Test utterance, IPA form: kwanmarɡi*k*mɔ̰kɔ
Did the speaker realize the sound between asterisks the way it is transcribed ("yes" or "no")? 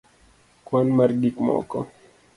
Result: yes